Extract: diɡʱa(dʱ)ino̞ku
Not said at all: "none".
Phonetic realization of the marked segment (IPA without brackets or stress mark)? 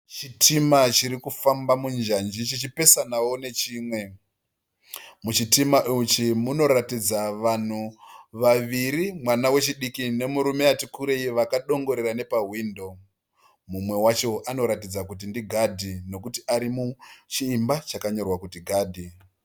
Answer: dʱ